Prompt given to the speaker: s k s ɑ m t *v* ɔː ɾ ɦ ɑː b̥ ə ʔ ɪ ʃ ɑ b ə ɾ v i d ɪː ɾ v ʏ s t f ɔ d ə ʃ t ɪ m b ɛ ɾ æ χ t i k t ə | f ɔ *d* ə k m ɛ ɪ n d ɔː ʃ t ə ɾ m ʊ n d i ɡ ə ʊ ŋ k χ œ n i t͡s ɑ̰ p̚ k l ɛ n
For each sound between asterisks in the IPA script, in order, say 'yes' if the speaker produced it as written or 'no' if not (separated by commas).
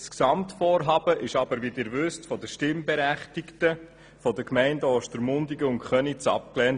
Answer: no, yes